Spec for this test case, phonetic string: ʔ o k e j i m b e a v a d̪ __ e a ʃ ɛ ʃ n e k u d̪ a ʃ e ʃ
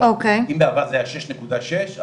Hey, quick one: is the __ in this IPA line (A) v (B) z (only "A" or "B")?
B